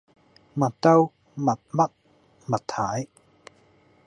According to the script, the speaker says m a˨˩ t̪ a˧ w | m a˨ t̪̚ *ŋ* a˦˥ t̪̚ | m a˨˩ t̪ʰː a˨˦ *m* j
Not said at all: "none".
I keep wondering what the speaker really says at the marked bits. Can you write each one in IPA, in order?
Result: m, none

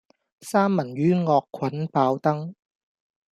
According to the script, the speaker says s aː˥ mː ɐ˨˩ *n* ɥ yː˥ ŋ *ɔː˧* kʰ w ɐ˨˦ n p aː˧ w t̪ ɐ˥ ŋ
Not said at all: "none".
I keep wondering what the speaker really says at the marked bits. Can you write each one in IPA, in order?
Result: n, ɔː˧

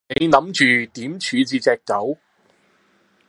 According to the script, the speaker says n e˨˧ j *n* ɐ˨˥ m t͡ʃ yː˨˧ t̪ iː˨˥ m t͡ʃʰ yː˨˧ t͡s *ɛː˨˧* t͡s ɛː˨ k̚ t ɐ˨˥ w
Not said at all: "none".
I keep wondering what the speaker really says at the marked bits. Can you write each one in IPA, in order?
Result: n, iː˨˧

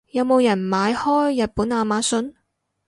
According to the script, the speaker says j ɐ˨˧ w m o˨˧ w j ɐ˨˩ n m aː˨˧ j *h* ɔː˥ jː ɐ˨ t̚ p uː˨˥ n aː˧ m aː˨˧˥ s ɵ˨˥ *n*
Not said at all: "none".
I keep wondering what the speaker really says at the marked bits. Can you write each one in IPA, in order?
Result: h, n

